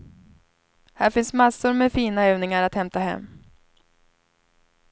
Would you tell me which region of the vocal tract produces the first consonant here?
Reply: throat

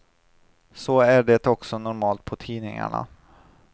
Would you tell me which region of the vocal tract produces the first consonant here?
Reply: tongue tip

